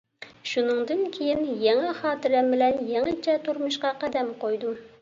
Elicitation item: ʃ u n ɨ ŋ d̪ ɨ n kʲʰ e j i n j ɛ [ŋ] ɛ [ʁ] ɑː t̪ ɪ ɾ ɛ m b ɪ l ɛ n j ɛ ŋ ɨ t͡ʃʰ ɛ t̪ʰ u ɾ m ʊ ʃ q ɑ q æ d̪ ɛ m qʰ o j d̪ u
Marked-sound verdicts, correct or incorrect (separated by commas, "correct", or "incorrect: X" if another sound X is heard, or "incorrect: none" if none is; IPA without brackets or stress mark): correct, incorrect: χ